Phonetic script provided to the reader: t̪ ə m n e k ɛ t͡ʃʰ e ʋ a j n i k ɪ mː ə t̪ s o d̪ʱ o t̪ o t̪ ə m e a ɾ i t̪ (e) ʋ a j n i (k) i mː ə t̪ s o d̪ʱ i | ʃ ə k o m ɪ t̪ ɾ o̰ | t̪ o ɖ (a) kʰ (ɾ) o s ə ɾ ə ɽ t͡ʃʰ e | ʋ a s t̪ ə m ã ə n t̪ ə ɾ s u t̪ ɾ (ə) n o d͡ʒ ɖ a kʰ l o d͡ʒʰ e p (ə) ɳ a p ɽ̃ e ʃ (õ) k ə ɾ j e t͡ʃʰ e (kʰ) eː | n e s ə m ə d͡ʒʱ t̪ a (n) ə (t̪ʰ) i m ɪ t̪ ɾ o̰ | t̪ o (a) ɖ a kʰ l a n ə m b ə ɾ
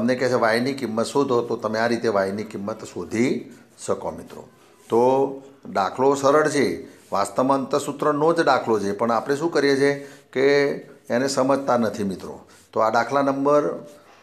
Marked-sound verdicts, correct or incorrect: correct, correct, correct, incorrect: l, correct, correct, incorrect: ũ, incorrect: k, correct, correct, correct

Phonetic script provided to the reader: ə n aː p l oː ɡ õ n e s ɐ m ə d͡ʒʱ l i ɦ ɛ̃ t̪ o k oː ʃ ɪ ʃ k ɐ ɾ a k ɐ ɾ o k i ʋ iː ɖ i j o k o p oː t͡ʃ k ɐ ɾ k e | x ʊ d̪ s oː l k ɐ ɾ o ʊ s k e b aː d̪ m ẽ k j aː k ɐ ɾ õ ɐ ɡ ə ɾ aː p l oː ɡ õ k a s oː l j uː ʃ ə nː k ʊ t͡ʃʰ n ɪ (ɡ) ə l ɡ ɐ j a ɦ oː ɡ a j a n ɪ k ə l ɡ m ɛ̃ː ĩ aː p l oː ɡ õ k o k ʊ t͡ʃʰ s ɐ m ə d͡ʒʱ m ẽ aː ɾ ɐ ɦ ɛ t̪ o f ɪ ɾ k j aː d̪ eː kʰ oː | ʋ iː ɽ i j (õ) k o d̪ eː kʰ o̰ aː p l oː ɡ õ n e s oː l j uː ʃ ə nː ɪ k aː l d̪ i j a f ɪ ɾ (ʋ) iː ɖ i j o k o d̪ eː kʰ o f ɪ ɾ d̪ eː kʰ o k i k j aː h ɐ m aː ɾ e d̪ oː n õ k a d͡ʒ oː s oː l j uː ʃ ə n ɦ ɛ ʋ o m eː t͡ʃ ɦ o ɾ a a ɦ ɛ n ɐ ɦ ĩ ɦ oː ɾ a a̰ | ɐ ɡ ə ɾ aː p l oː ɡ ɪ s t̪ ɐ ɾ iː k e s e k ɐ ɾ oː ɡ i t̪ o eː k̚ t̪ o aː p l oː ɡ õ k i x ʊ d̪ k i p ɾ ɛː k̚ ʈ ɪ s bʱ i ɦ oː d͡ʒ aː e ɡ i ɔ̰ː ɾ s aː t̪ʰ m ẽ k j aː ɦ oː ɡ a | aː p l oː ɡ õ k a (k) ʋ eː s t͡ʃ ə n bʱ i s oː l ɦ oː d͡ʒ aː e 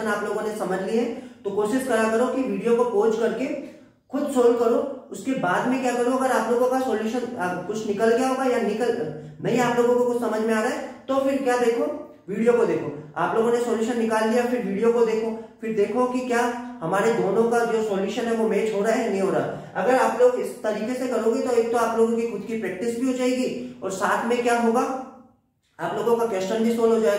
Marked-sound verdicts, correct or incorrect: incorrect: k, incorrect: o, correct, correct

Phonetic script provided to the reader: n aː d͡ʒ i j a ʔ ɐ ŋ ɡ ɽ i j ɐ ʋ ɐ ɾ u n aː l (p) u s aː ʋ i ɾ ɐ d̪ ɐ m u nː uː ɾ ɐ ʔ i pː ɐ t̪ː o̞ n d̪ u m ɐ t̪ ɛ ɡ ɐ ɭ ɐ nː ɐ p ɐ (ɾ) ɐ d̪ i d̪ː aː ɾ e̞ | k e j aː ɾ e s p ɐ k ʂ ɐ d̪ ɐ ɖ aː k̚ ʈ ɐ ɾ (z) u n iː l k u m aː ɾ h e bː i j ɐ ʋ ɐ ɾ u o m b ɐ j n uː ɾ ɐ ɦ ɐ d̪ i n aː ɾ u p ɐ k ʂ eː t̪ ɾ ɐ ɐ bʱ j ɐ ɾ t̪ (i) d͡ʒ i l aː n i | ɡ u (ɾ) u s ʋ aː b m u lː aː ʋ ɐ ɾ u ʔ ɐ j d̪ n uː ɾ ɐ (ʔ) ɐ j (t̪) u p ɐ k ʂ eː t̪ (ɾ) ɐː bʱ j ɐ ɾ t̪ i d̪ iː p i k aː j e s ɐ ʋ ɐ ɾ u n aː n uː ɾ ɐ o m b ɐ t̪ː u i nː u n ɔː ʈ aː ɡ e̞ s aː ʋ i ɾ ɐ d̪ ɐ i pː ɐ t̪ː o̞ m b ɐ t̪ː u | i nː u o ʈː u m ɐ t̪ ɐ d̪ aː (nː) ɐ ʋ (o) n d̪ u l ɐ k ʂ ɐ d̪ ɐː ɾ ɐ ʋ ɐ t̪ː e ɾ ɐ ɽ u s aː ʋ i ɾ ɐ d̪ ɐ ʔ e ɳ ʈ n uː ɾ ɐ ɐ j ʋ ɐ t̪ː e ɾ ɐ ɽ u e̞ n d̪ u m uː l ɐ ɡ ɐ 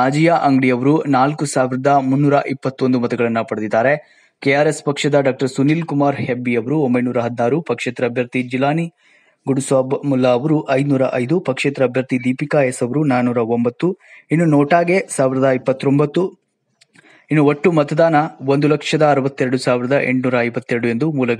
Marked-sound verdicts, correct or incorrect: incorrect: k, incorrect: ɽ, incorrect: s, correct, incorrect: ɽ, correct, incorrect: d̪, correct, incorrect: n, correct

